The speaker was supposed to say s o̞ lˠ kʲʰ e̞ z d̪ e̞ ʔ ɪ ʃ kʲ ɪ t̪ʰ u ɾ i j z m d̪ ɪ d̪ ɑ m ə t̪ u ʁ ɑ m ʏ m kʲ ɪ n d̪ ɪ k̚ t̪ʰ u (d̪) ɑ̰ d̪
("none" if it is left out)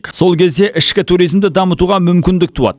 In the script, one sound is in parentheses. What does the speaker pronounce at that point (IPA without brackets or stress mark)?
none